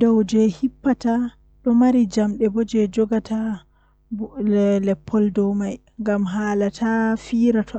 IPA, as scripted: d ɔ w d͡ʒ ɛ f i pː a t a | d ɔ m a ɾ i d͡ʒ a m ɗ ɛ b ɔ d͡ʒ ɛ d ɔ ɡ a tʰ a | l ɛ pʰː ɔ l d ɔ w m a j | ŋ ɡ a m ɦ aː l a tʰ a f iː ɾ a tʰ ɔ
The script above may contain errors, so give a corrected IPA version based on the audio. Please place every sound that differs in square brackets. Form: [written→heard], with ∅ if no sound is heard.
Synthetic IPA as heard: d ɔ w d͡ʒ ɛ [f→h] i pː a t a | [d→ɗ] ɔ m a ɾ i d͡ʒ a m ɗ ɛ b ɔ d͡ʒ ɛ [d→d͡ʒ] ɔ ɡ a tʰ a | l ɛ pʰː ɔ l d ɔ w m a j | ŋ ɡ a m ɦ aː l a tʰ a f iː ɾ a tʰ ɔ

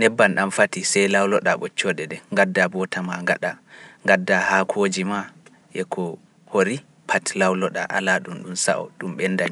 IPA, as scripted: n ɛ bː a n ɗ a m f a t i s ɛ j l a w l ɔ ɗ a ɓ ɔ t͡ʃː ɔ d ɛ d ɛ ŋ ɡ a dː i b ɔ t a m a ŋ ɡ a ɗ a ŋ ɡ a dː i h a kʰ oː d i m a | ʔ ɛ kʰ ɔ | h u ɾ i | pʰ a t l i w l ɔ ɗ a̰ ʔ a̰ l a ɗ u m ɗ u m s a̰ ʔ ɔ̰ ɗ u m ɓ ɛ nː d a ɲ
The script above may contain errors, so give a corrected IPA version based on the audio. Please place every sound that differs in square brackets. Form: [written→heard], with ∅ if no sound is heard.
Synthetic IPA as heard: n ɛ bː a n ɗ a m f a t i s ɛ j l a w l ɔ ɗ a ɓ ɔ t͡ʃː ɔ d ɛ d ɛ ŋ ɡ a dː [i→a] b ɔ t a m a ŋ ɡ a ɗ a ŋ ɡ a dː [i→a] h a kʰ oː [d→d͡ʒ] i m a | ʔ ɛ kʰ ɔ | h [u→o] ɾ i | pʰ a t l [i→a] w l ɔ ɗ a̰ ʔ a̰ l a ɗ u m ɗ u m s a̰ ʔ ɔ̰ ɗ u m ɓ ɛ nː d a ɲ

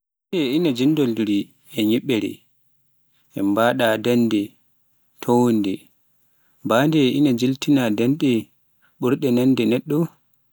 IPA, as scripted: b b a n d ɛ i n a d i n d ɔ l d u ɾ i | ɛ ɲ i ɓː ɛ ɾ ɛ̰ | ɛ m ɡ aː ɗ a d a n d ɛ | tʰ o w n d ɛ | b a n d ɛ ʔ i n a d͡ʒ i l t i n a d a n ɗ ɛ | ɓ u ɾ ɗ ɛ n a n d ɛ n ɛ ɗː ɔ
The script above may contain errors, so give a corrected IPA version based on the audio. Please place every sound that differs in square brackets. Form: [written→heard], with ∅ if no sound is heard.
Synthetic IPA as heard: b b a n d ɛ i n a [d→d͡ʒ] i n d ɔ l d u ɾ i | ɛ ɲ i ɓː ɛ ɾ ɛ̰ | ɛ m [ɡ→b] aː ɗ a d a n d ɛ | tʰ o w n d ɛ | b a n d ɛ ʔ i n a d͡ʒ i l t i n a d a n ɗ ɛ | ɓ u ɾ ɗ ɛ n a n d ɛ n ɛ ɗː ɔ

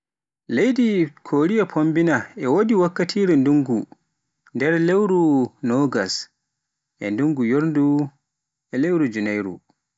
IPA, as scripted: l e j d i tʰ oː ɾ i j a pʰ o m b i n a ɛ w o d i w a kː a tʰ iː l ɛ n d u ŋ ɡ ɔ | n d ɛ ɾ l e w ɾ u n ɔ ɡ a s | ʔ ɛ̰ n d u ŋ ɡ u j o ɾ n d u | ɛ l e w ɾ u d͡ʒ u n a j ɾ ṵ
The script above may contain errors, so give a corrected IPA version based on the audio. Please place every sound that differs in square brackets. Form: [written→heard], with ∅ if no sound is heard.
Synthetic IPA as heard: l e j d i [tʰ→kʰ] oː ɾ i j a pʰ o m b i n a ɛ w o d i w a kː a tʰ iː [l→ɾ] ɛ n d u ŋ ɡ [ɔ→u] | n d ɛ ɾ l e w ɾ u n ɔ ɡ a s | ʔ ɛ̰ n d u ŋ ɡ u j o ɾ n d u | ɛ l e w ɾ u d͡ʒ u n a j ɾ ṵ

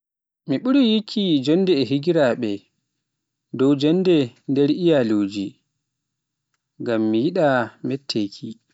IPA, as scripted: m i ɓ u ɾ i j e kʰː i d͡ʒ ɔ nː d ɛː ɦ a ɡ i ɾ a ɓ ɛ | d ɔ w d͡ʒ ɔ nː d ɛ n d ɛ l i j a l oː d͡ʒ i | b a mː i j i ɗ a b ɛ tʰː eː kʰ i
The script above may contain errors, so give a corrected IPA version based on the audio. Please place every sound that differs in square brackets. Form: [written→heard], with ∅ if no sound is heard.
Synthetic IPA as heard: m i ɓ u ɾ i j [e→i] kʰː i d͡ʒ ɔ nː d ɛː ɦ [a→i] ɡ i ɾ a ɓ ɛ | d ɔ w d͡ʒ ɔ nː d ɛ n d ɛ [l→ɾ] i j a l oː d͡ʒ i | [b→ɡ] a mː i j i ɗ a [b→m] ɛ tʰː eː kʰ i

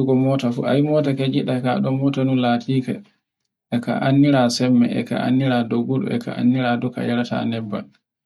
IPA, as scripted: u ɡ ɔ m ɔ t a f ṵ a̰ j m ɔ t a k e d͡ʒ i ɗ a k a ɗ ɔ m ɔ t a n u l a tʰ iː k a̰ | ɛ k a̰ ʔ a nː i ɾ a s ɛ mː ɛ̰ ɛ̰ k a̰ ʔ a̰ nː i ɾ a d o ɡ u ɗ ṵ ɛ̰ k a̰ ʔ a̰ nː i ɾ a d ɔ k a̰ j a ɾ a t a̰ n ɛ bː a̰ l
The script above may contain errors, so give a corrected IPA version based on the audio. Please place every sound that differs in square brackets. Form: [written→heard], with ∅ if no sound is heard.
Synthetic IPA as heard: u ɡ ɔ m ɔ t a f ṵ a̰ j m ɔ t a k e d͡ʒ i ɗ a k a ɗ ɔ m ɔ t a n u l a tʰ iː k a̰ | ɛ k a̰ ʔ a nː i ɾ a s ɛ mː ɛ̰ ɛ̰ k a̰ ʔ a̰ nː i ɾ a d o ɡ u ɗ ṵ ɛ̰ k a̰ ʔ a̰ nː i ɾ a d ɔ k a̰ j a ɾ a t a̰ n ɛ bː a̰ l

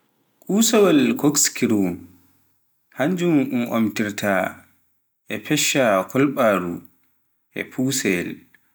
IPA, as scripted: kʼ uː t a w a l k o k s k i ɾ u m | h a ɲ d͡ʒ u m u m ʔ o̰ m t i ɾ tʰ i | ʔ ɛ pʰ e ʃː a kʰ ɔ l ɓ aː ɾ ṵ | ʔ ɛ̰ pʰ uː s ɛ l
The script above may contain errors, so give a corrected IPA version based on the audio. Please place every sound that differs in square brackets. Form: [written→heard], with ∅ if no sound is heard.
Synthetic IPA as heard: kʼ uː [t→s] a w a l k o k s k i ɾ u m | h a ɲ d͡ʒ u m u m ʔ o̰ m t i ɾ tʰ [i→a] | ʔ ɛ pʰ [e→ɛ] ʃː a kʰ ɔ l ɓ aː ɾ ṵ | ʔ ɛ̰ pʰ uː s ɛ l

